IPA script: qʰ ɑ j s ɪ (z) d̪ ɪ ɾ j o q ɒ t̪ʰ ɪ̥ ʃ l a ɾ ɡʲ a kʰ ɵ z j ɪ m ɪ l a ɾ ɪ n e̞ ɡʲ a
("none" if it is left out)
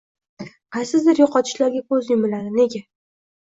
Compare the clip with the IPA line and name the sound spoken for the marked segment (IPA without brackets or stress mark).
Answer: z